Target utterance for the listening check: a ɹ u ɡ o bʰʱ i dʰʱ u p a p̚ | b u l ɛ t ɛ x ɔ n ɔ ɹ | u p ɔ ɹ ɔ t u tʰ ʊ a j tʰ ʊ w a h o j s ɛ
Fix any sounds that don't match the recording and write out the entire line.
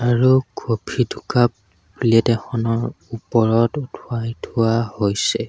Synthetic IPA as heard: a ɹ u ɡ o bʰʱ i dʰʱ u k a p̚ | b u l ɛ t ɛ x ɔ n ɔ ɹ | u p ɔ ɹ ɔ t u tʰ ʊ a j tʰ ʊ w a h o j s ɛ